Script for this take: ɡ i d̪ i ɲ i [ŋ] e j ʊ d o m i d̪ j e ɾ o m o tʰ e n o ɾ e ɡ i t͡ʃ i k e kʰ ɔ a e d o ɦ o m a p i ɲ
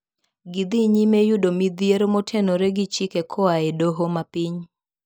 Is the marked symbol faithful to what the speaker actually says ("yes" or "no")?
no